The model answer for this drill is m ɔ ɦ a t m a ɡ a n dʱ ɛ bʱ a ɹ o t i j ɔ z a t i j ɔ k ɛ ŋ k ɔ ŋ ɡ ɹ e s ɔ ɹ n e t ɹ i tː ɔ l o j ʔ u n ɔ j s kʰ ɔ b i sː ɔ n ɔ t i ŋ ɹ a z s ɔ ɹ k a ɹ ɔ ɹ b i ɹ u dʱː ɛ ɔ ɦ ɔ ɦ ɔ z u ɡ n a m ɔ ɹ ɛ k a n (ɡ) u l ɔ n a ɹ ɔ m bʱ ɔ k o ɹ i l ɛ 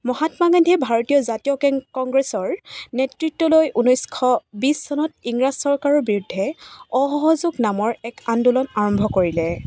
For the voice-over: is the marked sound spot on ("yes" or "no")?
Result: no